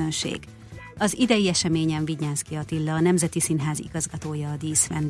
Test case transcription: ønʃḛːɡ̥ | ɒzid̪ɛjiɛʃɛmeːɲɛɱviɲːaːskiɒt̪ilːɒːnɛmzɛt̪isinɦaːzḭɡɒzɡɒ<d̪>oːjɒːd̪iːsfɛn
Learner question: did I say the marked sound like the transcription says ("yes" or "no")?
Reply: no